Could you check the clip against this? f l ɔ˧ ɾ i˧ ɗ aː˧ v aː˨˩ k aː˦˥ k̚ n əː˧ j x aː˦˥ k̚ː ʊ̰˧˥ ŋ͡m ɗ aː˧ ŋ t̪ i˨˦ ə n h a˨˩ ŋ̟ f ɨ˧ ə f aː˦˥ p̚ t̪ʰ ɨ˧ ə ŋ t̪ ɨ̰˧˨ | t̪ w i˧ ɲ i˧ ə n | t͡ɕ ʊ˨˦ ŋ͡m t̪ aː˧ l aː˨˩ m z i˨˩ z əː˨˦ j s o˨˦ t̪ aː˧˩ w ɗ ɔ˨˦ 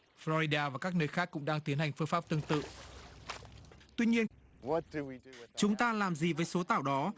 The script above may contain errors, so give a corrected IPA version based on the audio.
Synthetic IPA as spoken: f l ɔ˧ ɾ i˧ ɗ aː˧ v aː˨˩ k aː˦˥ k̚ n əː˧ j x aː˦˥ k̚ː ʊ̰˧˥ ŋ͡m ɗ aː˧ ŋ t̪ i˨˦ ə n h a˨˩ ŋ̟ f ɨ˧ ə f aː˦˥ p̚ t̪ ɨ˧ ə ŋ t̪ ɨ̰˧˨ | t̪ w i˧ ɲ i˧ ə n | t͡ɕ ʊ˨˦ ŋ͡m t̪ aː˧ l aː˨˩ m z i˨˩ v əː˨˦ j s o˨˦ t̪ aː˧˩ w ɗ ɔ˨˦